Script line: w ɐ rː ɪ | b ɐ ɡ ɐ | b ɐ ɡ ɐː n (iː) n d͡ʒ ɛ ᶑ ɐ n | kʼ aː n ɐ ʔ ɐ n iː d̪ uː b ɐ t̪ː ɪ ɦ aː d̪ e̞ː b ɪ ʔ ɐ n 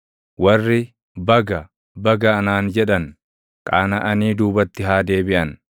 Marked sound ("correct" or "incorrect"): incorrect